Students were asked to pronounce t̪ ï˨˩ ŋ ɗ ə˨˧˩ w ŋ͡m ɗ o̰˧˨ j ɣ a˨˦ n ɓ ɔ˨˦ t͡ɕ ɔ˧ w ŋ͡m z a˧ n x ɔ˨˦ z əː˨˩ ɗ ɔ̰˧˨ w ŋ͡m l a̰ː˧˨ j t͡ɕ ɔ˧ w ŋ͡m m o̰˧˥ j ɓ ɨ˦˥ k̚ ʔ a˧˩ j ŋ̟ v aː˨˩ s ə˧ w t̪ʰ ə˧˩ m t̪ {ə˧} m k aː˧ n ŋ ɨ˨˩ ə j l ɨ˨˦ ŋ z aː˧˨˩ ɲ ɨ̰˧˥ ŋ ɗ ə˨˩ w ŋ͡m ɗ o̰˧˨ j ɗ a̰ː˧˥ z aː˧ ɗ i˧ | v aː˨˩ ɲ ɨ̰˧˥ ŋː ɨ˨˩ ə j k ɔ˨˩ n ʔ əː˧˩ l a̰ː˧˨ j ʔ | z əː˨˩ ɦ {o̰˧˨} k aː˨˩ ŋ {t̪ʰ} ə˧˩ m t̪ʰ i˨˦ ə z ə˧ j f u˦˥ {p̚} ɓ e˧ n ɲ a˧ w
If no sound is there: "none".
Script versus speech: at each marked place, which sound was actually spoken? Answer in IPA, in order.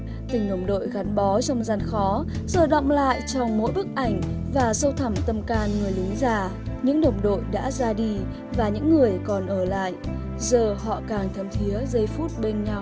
ə˧, ɔ̰˧˨, t̪ʰ, t̚

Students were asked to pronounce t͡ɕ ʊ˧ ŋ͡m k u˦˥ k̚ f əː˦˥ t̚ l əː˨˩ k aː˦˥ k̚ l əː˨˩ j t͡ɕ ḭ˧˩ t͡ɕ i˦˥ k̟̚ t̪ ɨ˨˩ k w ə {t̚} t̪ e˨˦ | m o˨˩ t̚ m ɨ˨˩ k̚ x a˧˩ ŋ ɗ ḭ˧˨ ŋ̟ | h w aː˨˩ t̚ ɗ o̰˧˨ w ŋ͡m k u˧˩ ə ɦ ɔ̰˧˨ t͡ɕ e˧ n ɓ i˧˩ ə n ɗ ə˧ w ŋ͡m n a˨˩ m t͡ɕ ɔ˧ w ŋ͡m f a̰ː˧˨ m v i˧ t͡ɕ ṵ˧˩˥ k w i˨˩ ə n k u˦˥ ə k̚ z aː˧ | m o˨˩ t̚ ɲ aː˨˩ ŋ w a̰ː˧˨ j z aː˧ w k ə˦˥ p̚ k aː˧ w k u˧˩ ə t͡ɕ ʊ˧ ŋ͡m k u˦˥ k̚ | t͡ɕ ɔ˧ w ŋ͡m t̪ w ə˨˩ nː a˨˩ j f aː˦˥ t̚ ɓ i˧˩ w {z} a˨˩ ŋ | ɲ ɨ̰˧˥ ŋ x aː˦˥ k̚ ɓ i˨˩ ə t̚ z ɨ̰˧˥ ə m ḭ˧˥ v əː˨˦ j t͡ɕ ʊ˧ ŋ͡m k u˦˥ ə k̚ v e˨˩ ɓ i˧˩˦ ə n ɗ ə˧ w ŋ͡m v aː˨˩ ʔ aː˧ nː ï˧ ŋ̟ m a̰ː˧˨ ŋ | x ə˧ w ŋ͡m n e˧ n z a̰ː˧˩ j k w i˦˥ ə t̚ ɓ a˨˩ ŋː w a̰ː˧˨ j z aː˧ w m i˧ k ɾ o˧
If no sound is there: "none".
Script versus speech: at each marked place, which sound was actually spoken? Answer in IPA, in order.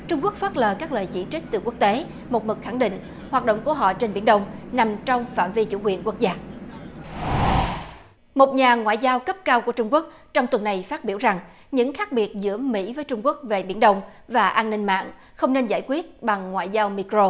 k̚, z

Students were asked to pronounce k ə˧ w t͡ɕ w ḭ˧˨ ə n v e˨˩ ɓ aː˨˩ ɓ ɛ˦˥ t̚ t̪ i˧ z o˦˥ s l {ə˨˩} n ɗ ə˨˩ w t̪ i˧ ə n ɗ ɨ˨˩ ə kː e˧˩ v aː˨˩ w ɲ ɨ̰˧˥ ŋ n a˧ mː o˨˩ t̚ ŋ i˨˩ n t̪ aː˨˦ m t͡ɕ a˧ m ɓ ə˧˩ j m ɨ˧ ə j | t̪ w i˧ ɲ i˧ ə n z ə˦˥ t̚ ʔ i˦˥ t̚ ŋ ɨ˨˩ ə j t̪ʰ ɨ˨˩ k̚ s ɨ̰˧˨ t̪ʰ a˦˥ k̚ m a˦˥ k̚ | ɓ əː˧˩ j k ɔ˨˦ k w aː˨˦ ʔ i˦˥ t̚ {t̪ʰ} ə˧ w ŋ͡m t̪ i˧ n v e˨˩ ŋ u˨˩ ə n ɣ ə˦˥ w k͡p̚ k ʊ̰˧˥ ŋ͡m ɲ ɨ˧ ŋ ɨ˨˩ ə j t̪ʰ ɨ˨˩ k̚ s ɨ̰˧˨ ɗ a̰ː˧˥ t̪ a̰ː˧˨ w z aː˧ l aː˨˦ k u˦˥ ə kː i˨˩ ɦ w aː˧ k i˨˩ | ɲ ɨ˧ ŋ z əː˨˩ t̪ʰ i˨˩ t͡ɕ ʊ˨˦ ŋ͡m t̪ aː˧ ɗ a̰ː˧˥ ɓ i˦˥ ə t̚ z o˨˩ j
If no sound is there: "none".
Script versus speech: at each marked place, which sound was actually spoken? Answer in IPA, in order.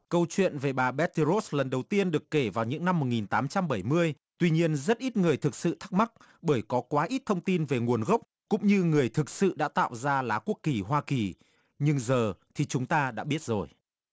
ə˨˩, t̪ʰ

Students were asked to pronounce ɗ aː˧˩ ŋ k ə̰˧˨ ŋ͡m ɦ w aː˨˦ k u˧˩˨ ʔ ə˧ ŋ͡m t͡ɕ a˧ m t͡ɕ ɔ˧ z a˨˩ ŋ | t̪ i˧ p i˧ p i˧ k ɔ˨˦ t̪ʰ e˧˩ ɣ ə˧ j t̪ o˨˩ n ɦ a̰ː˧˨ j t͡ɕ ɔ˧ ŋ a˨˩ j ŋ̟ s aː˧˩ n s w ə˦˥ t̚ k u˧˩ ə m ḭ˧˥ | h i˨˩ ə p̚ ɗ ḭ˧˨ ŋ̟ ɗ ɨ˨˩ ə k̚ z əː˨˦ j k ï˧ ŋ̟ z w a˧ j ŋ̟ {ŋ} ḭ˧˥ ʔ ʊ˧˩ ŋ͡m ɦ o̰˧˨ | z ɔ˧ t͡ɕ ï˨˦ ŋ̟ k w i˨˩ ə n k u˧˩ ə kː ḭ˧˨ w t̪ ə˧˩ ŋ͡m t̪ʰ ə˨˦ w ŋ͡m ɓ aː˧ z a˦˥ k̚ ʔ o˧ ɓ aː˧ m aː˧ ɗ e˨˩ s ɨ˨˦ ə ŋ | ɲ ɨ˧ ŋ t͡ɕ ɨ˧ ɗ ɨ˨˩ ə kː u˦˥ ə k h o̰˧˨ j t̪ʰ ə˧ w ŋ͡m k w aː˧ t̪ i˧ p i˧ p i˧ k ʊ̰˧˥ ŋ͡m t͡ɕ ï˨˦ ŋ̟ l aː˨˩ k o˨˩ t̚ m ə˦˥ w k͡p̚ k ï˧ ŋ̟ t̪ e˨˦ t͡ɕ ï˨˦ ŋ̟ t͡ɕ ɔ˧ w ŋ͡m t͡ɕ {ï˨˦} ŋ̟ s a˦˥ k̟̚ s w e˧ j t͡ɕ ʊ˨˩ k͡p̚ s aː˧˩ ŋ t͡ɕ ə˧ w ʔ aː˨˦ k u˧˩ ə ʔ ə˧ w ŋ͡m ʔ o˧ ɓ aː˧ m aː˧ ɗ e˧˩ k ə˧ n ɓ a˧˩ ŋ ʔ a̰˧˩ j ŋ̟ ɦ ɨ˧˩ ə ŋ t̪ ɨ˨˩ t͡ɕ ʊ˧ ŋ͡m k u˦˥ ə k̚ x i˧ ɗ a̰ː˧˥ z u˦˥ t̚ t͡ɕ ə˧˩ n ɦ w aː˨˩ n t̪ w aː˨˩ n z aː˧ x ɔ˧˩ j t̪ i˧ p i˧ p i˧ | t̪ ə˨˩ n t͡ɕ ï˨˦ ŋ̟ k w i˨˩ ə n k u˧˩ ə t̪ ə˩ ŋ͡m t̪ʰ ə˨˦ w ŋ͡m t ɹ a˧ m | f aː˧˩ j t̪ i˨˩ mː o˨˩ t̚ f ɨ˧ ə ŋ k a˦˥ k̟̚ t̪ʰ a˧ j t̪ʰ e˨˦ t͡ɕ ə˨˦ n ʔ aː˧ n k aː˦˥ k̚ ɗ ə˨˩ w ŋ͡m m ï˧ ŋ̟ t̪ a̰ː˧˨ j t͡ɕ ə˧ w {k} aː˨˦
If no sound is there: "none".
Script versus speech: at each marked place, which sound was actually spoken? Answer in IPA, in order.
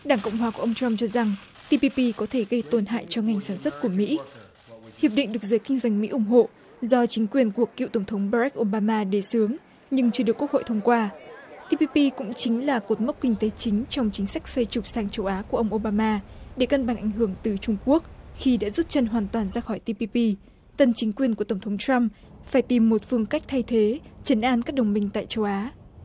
m, ï˨˦, ʔ

